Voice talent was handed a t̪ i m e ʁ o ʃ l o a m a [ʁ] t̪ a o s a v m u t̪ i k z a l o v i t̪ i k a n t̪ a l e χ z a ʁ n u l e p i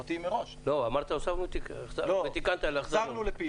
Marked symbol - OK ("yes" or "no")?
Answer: yes